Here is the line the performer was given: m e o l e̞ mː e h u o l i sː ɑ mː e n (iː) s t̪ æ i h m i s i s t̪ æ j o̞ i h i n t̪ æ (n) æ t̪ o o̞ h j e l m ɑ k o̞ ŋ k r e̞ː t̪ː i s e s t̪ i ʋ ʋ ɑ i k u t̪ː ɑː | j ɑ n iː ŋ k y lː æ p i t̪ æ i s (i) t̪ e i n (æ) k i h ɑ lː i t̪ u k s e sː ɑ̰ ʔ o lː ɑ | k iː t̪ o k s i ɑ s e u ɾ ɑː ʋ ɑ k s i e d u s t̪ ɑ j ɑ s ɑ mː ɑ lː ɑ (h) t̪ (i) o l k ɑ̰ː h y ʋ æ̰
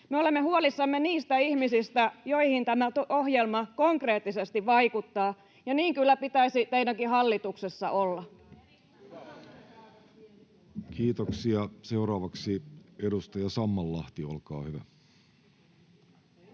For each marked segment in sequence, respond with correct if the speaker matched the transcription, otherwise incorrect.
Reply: correct, incorrect: m, correct, correct, correct, correct

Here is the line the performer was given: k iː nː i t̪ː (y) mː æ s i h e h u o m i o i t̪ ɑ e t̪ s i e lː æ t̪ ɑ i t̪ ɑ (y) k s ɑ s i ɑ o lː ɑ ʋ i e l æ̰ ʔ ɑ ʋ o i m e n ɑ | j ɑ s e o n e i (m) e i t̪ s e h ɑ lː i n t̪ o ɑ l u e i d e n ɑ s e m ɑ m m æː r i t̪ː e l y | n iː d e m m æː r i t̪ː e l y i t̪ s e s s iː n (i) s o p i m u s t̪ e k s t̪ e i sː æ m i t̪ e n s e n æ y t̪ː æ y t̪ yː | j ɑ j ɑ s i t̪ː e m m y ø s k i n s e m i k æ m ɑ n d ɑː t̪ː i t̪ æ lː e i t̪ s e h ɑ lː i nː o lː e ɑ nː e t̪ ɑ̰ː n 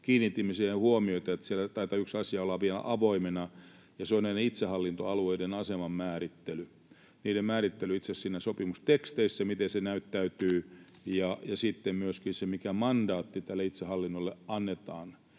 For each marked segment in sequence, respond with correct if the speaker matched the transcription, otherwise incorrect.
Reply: incorrect: i, correct, incorrect: n, incorrect: æ

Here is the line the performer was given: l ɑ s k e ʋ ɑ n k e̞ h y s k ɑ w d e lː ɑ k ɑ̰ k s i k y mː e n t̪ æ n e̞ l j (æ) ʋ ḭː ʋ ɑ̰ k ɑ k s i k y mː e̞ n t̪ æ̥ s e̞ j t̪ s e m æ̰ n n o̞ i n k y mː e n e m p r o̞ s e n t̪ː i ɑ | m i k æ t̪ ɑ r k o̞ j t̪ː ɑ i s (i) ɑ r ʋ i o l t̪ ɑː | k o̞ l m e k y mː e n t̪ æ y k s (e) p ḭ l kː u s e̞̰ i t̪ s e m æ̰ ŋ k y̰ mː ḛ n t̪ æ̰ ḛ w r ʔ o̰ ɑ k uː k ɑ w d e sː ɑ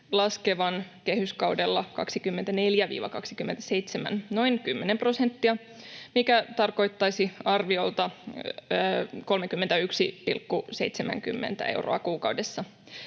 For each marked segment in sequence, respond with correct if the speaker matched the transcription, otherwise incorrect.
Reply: correct, correct, incorrect: i

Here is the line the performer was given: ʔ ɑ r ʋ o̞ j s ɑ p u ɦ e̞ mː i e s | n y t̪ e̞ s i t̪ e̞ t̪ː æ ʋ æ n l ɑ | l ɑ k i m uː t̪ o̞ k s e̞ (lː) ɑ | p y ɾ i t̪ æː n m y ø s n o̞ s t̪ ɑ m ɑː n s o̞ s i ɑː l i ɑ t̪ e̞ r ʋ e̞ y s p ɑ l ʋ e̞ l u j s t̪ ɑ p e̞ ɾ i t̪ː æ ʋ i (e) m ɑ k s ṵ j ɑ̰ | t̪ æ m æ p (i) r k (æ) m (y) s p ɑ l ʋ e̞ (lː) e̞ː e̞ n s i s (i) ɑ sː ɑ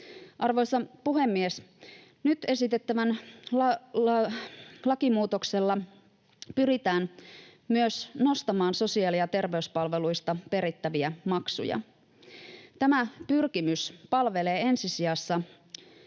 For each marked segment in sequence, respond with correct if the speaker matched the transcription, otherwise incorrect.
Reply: correct, incorrect: æ, incorrect: y, incorrect: i, correct, incorrect: l, correct

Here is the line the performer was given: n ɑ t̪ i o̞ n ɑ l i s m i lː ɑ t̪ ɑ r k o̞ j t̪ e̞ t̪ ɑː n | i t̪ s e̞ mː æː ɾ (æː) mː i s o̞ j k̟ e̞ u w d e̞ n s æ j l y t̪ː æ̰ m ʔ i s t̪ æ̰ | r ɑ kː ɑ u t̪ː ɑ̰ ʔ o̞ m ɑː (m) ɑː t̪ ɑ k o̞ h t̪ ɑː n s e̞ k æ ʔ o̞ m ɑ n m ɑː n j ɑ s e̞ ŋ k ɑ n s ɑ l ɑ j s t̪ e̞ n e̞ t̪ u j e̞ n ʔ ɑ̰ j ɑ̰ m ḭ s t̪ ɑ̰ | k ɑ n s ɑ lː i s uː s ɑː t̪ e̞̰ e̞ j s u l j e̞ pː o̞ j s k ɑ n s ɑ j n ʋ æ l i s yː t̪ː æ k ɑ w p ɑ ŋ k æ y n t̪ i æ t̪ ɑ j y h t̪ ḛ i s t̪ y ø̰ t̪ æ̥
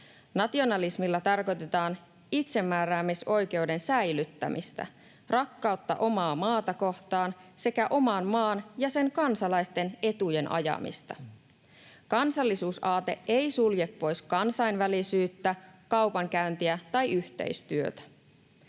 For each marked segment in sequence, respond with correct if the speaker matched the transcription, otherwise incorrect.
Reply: correct, correct

